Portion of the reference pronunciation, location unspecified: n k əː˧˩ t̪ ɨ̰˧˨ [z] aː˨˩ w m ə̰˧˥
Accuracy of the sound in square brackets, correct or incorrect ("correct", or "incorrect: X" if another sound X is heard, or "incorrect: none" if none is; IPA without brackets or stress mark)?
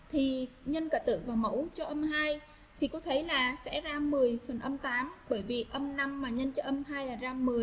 incorrect: v